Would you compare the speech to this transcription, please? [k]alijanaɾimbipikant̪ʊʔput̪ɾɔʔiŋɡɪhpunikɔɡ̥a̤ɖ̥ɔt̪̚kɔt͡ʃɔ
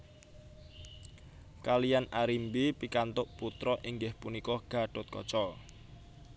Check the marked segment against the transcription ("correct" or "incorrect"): correct